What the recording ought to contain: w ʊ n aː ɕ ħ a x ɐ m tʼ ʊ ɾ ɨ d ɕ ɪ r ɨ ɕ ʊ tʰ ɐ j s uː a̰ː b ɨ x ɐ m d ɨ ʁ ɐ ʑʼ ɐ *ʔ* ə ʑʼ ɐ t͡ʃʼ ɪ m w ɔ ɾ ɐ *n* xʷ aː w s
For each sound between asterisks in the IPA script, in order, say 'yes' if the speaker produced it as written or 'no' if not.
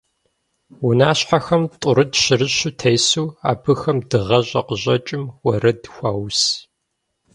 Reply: no, no

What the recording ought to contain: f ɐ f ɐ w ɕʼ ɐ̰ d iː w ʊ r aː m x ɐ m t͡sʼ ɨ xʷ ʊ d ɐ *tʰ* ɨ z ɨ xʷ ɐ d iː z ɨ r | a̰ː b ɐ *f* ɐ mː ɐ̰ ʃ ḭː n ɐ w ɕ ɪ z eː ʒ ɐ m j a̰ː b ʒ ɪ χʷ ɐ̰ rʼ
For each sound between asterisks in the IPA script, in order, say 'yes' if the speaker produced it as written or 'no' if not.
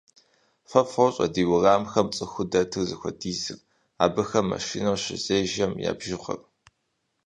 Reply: yes, no

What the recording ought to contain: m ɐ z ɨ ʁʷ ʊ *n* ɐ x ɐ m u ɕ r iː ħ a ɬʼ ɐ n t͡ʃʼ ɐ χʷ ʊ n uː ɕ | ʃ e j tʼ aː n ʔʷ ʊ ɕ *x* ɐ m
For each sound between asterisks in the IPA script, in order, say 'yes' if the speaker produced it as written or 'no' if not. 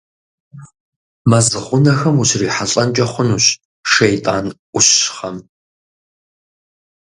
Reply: yes, no

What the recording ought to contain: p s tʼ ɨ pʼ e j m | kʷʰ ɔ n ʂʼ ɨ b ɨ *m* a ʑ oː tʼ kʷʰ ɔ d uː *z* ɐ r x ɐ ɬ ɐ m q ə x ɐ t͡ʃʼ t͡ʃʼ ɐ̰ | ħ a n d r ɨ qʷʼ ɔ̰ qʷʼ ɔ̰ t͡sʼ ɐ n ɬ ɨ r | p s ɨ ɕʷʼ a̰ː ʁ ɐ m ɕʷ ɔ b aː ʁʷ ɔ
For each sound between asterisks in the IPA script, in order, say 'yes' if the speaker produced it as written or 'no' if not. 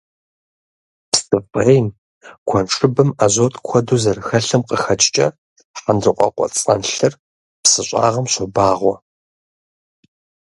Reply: yes, yes

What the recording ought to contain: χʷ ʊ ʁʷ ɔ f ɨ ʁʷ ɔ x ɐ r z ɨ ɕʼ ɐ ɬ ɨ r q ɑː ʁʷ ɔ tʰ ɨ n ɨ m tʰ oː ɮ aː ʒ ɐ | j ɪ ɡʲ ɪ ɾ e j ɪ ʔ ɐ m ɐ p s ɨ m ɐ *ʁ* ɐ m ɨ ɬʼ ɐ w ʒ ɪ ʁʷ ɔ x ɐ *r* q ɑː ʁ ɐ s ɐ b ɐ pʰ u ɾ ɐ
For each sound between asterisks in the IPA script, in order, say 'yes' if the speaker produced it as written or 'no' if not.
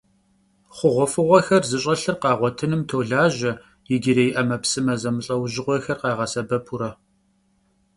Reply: no, yes

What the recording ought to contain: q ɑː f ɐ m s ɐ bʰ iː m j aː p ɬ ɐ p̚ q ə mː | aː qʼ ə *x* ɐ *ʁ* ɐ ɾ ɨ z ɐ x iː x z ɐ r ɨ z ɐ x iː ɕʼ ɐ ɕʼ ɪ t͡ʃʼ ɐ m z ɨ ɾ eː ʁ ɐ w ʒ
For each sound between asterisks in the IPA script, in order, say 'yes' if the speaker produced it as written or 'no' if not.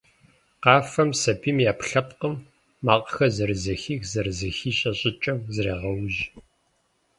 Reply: yes, no

